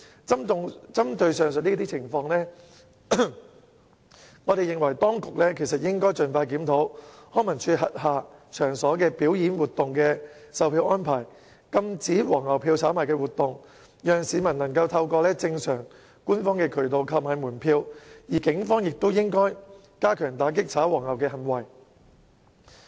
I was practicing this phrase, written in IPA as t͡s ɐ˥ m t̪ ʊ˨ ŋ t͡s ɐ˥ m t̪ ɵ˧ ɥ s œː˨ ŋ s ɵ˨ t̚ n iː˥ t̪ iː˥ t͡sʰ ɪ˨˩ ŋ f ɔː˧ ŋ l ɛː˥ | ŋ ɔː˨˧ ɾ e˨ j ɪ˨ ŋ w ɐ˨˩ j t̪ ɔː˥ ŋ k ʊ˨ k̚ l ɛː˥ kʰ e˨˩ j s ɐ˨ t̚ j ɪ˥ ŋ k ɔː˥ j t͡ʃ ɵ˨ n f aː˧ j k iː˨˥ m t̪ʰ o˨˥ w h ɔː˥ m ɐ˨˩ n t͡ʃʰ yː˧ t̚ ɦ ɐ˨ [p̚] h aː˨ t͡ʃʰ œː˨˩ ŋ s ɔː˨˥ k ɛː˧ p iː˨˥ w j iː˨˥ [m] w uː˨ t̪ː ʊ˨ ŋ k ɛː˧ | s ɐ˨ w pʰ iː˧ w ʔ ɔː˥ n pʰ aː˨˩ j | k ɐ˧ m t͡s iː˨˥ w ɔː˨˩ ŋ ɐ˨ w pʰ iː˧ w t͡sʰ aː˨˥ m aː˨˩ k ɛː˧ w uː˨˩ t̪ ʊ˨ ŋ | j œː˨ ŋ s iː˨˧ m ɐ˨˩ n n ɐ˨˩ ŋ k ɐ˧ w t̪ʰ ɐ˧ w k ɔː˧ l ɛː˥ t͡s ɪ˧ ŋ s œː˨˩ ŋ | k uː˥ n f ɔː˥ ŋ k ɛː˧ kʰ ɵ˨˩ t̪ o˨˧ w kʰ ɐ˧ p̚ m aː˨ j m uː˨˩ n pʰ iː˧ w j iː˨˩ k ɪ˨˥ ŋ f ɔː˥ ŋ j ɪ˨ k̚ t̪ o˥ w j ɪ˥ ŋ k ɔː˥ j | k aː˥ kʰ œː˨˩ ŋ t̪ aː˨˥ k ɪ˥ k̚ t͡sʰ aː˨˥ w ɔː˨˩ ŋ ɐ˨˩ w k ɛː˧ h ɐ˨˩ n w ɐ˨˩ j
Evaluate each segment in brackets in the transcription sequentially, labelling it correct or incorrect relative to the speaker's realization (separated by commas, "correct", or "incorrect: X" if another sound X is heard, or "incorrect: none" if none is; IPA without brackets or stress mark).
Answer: incorrect: t̚, incorrect: n